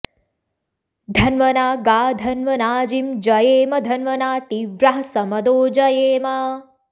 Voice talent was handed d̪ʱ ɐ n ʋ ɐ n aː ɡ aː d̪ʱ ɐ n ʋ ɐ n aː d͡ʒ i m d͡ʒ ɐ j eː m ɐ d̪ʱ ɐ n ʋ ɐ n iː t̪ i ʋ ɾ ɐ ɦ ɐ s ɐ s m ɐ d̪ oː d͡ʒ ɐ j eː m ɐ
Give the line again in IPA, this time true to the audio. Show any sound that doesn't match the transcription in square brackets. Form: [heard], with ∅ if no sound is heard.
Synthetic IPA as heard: d̪ʱ ɐ n ʋ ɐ n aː ɡ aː d̪ʱ ɐ n ʋ ɐ n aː d͡ʒ i m d͡ʒ ɐ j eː m ɐ d̪ʱ ɐ n ʋ ɐ n [aː] t̪ i ʋ ɾ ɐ ɦ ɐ s ɐ [∅] m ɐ d̪ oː d͡ʒ ɐ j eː m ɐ